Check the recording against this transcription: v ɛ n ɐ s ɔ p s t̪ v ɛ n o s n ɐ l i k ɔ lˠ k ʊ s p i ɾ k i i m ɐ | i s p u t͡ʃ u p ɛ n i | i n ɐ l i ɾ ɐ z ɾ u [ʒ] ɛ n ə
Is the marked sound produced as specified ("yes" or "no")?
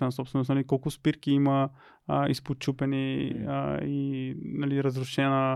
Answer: no